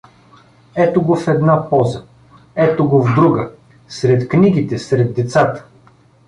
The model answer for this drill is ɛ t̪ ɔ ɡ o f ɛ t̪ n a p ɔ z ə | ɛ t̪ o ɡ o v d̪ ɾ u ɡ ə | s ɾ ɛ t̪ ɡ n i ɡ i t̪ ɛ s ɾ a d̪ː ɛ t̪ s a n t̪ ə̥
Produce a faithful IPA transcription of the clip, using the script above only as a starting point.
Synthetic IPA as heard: ɛ t̪ o ɡ o f ɛ d̪ n a p ɔ z ə | ɛ t̪ o ɡ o v d̪ ɾ u ɡ ə | s ɾ ɛ t̪ k n i ɡ i t̪ ɛ s ɾ ɛ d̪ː ɛ t̪ s a t̪ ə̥